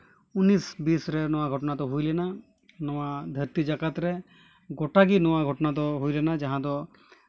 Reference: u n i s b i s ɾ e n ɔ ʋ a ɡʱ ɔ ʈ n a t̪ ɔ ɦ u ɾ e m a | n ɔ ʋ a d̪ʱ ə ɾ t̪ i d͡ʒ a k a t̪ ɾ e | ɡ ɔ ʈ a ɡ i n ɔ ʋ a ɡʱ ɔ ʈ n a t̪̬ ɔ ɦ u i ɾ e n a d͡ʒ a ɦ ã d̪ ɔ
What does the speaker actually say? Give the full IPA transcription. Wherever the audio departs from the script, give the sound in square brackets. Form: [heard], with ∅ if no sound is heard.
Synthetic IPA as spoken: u n i s b i s ɾ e n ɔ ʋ a ɡʱ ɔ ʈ n a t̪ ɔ ɦ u [l] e [n] a | n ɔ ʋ a d̪ʱ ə ɾ t̪ i d͡ʒ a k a t̪ ɾ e | ɡ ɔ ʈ a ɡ i n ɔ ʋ a ɡʱ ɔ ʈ n a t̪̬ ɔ ɦ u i [l] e n a d͡ʒ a ɦ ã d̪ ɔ